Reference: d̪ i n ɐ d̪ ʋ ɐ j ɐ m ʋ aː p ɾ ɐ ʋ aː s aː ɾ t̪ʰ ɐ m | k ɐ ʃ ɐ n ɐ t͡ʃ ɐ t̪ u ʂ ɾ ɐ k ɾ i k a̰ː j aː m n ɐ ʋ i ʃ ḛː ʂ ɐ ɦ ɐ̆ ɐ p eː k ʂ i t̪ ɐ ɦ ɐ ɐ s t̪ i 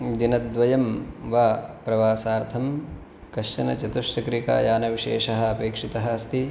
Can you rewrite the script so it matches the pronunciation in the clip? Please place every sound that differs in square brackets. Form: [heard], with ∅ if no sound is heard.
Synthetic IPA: d̪ i n ɐ d̪ ʋ ɐ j ɐ m ʋ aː p ɾ ɐ ʋ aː s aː ɾ t̪ʰ ɐ m | k ɐ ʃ ɐ n ɐ t͡ʃ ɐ t̪ u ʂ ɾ ɐ k ɾ i k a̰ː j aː [∅] n ɐ ʋ i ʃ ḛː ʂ ɐ ɦ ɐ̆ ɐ p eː k ʂ i t̪ ɐ ɦ ɐ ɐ s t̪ i

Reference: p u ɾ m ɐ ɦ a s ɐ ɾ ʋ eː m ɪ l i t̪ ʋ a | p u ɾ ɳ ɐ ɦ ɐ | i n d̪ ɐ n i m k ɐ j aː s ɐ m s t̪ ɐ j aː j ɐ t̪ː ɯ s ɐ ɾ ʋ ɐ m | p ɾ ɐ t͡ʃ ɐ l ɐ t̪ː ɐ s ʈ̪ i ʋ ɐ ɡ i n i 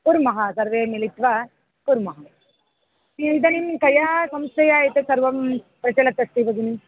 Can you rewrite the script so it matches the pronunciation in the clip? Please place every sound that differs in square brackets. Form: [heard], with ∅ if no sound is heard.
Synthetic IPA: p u ɾ m ɐ ɦ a s ɐ ɾ ʋ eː m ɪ l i t̪ ʋ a | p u ɾ [m] ɐ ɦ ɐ | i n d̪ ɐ n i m k ɐ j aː s ɐ m s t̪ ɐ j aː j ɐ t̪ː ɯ s ɐ ɾ ʋ ɐ m | p ɾ ɐ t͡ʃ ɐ l ɐ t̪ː ɐ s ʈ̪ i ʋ ɐ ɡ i n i

